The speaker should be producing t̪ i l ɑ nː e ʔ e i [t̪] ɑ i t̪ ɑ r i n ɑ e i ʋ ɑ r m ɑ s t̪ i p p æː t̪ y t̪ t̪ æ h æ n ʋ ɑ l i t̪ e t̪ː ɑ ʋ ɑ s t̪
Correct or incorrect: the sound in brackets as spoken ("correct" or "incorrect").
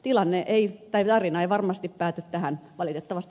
correct